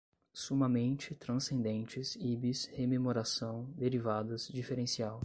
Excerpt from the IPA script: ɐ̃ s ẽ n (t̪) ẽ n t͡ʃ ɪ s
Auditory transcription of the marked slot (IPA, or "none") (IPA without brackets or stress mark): d̪